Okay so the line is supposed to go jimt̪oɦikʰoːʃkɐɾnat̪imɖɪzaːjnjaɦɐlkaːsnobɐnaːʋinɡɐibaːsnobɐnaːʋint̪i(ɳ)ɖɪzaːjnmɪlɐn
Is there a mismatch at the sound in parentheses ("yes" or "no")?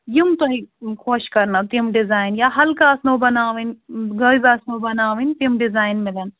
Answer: yes